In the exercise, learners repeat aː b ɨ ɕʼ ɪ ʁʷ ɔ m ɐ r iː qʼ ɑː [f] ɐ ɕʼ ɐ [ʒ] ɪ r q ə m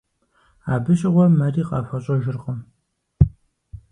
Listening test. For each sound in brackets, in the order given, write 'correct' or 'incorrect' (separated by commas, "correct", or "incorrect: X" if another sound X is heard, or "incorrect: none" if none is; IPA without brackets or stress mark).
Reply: correct, correct